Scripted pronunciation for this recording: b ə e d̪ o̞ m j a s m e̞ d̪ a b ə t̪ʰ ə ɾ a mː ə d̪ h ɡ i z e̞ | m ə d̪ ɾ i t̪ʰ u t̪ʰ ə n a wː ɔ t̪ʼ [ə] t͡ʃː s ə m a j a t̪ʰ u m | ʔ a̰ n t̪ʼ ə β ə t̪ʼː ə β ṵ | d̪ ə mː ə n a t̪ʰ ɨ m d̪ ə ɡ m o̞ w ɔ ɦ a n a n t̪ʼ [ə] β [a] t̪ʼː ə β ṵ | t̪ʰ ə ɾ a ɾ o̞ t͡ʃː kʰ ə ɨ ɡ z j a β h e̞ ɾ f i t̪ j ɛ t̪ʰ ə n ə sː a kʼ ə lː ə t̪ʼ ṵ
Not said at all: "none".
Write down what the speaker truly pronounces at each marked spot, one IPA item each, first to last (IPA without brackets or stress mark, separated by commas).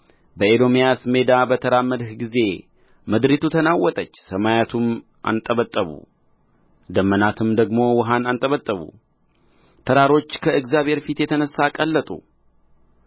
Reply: ə, ə, ə